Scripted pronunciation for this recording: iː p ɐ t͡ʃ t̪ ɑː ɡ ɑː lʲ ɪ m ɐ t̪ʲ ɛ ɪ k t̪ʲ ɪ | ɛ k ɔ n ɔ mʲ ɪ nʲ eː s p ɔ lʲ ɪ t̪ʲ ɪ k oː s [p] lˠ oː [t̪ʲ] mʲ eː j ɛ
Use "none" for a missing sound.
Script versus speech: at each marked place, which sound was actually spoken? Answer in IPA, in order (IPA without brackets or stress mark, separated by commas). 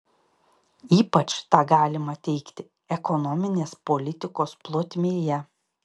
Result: p, t̪ʲ